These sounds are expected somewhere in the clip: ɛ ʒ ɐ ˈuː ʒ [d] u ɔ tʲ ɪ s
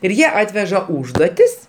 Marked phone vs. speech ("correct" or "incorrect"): correct